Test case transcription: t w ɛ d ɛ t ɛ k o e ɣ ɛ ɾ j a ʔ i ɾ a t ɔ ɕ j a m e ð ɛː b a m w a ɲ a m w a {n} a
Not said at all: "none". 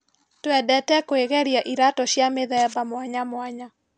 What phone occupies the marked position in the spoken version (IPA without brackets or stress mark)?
ɲ